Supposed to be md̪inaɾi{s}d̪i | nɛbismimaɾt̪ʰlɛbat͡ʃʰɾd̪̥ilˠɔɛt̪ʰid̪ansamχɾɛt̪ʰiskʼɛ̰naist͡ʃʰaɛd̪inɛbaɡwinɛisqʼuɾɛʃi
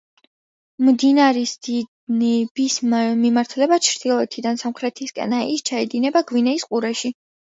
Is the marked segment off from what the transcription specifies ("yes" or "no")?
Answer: no